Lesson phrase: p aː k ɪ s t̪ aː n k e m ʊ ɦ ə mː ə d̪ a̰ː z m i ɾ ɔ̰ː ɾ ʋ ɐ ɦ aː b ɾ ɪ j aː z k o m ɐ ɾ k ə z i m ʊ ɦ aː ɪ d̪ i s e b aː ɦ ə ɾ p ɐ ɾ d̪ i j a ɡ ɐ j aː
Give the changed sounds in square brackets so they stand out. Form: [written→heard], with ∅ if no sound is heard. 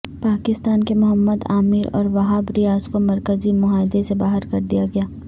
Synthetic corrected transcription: p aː k ɪ s t̪ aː n k e m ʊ ɦ ə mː ə d̪ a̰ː [z→∅] m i ɾ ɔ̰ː ɾ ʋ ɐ ɦ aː b ɾ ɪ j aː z k o m ɐ ɾ k ə z i m ʊ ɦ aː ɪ d̪ [i→e] s e b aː ɦ ə ɾ [p→k] ɐ ɾ d̪ i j a ɡ ɐ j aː